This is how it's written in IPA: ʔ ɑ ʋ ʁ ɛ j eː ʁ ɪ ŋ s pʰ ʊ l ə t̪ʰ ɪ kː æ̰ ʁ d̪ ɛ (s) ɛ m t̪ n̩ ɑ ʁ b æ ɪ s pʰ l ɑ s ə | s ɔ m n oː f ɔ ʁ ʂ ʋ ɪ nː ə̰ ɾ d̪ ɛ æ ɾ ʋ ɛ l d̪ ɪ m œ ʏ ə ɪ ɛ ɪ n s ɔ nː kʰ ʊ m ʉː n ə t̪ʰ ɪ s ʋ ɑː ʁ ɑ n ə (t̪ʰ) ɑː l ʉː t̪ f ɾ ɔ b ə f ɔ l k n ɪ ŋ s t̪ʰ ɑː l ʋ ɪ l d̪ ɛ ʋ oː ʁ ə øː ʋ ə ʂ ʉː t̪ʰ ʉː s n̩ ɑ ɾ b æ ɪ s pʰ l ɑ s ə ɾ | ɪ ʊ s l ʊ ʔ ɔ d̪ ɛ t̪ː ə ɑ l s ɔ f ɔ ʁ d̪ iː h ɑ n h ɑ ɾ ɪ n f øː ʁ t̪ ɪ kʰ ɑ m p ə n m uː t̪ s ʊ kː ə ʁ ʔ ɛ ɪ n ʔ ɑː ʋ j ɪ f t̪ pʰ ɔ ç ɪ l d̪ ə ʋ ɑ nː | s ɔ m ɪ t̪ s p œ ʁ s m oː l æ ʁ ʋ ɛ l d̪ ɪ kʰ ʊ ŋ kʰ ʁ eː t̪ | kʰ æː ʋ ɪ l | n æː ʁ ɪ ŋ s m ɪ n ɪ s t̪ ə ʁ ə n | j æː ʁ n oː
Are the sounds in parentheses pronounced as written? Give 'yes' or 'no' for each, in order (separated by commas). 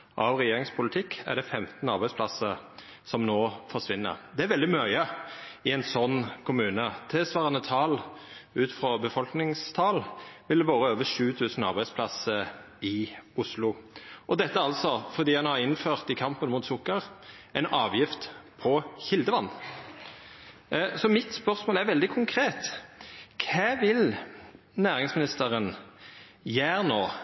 no, yes